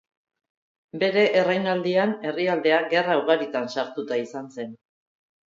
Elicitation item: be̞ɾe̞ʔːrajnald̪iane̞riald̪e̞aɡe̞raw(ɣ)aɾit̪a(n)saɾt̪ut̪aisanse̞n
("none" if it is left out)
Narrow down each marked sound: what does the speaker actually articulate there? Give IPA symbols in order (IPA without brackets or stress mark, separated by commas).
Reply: ɣ, n